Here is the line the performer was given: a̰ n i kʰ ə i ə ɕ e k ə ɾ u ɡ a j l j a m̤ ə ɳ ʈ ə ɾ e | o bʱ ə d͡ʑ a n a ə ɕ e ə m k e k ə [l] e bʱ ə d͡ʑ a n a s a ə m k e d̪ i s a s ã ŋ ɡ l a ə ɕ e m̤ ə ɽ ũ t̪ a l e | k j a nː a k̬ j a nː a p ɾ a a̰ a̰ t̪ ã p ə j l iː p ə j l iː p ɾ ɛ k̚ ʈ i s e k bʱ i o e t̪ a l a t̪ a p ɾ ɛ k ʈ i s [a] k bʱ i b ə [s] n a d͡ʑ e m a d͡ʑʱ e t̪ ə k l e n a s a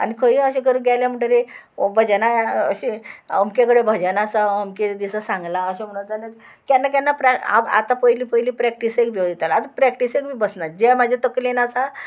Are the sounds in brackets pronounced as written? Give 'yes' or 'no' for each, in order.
no, no, yes

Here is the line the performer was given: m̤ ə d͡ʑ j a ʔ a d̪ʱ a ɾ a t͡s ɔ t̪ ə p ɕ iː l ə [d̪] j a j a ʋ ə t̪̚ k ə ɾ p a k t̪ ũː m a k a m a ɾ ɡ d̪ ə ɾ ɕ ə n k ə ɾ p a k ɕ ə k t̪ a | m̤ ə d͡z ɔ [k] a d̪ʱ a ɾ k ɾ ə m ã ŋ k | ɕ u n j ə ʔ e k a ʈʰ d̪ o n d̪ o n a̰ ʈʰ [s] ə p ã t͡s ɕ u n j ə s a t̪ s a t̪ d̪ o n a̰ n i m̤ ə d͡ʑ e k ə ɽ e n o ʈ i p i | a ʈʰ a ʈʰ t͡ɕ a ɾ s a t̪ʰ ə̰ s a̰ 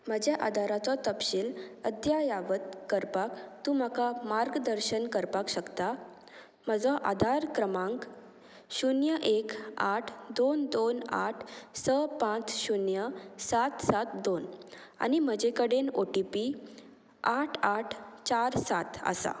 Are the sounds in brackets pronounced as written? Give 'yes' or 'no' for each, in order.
yes, no, yes

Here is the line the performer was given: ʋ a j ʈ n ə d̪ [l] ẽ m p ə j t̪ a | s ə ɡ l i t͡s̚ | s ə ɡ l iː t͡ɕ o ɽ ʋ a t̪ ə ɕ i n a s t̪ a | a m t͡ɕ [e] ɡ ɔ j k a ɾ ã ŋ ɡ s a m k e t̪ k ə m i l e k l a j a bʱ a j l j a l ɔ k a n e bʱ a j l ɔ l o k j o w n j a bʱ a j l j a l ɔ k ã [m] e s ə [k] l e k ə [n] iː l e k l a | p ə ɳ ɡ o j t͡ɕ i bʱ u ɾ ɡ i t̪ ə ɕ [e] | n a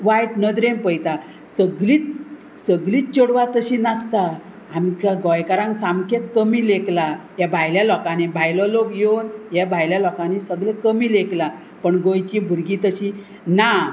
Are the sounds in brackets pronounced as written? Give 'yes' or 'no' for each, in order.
no, no, no, no, no, no

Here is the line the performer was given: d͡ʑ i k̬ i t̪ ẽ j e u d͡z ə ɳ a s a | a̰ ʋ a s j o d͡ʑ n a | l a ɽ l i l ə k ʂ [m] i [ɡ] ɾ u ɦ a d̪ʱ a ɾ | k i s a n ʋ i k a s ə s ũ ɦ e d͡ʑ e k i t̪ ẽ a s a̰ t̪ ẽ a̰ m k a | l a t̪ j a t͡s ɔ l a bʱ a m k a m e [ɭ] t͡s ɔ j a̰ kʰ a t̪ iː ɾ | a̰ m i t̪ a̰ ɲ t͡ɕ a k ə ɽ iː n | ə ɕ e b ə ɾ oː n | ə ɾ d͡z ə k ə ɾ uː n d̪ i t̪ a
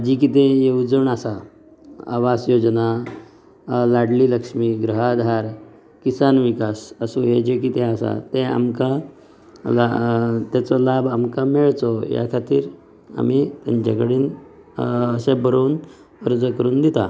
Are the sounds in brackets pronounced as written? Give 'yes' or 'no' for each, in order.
yes, yes, yes

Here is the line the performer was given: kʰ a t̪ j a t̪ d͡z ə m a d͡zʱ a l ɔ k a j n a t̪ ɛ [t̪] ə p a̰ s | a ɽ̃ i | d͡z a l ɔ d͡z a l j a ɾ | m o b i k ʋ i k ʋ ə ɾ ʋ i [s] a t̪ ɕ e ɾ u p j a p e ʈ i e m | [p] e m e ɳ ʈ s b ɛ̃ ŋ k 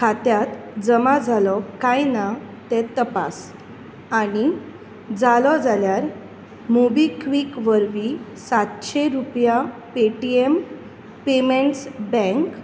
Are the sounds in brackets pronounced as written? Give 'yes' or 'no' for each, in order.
yes, yes, yes

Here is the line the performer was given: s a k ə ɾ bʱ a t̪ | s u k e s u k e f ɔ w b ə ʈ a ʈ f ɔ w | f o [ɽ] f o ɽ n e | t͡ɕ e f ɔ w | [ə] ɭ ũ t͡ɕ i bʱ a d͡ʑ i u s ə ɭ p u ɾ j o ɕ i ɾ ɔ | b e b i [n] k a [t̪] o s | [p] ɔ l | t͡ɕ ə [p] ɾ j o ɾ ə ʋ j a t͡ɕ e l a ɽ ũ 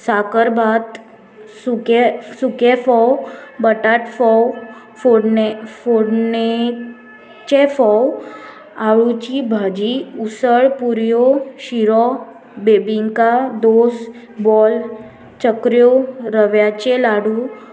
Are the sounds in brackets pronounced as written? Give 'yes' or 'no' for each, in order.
yes, no, no, no, no, no

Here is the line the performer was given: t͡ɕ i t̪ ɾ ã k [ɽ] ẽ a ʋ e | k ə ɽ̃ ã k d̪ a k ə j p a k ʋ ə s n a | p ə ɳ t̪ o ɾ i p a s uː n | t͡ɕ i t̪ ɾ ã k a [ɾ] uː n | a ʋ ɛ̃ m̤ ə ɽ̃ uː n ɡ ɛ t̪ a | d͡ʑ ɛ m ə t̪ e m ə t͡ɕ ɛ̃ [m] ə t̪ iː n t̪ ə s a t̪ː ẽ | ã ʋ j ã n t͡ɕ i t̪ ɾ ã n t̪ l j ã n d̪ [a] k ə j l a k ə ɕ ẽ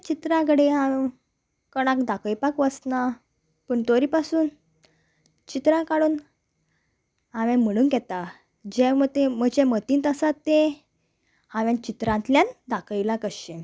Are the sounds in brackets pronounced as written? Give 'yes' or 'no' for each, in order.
yes, no, yes, yes

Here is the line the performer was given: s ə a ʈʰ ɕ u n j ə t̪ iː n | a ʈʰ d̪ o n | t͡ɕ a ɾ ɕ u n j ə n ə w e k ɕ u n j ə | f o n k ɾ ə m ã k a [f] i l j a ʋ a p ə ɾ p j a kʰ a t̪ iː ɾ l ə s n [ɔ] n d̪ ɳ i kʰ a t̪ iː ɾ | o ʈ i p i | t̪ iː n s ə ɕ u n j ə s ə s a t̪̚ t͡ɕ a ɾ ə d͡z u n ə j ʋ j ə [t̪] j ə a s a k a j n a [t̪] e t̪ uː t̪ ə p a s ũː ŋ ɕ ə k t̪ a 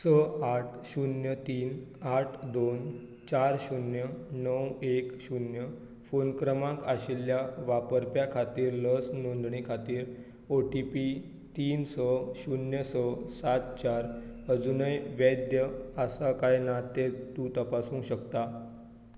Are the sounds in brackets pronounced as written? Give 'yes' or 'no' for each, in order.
no, no, no, yes

